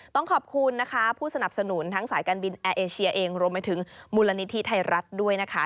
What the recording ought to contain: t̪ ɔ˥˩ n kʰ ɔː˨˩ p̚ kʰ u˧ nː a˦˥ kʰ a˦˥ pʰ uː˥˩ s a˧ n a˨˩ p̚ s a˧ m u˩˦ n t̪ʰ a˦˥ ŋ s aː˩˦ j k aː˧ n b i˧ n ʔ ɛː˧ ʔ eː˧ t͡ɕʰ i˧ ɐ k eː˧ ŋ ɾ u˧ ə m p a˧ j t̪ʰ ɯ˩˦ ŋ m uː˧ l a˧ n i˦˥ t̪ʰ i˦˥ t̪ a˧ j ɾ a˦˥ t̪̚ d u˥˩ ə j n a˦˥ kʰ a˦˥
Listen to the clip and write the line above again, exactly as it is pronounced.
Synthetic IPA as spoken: t̪ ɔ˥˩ ŋ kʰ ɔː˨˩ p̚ kʰ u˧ nː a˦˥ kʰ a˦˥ pʰ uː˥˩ s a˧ n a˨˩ p̚ s a˧ n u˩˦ n t̪ʰ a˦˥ ŋ s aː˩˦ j k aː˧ n b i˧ n ʔ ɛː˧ ʔ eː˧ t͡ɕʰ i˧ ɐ ʔ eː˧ ŋ ɾ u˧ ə m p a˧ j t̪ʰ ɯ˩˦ ŋ m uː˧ l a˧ n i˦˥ t̪ʰ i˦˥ t̪ʰ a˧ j ɾ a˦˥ t̪̚ d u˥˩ ə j n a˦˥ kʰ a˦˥